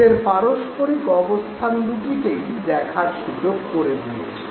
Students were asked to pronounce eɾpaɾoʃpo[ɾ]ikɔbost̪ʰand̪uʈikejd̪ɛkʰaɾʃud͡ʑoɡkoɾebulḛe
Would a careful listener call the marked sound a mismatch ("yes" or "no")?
no